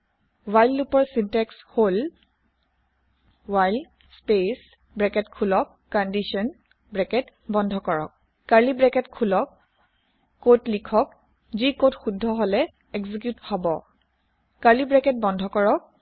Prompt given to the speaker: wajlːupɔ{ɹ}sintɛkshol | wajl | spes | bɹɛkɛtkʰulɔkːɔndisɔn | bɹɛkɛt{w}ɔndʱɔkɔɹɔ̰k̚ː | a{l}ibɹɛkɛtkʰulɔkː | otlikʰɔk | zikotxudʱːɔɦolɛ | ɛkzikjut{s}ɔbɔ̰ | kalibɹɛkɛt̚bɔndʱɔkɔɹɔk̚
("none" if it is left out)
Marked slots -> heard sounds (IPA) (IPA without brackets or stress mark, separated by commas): ɹ, b, l, h